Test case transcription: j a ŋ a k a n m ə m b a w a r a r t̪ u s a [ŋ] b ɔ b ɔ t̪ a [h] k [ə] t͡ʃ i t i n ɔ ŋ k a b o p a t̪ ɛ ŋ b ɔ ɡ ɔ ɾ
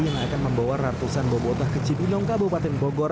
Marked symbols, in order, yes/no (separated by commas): no, yes, yes